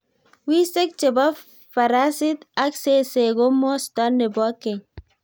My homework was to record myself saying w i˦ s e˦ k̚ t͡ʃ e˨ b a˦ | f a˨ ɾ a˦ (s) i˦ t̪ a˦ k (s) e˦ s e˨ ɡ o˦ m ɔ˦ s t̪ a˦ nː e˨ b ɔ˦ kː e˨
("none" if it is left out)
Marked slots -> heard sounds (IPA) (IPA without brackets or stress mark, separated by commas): s, s